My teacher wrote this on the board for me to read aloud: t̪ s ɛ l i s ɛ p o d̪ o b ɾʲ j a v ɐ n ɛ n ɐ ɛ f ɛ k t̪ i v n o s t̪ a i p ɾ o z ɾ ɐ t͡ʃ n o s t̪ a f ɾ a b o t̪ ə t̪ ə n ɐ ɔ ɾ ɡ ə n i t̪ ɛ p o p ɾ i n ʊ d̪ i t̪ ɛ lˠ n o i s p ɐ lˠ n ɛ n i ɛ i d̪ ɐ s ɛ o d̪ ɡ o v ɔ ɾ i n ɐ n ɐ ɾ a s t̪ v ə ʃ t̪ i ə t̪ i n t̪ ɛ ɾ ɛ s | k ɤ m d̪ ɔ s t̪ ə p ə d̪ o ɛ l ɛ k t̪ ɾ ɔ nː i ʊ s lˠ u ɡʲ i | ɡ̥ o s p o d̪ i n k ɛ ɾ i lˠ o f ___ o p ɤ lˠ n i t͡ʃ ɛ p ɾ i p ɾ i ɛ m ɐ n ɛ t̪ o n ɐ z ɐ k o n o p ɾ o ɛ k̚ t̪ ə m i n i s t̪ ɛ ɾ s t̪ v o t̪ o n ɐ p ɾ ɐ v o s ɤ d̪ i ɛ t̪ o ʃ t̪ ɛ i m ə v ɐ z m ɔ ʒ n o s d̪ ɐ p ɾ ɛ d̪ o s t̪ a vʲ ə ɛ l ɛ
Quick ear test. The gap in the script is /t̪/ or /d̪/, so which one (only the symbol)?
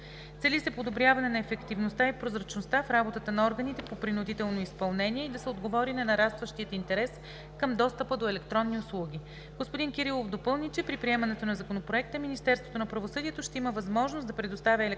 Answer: d̪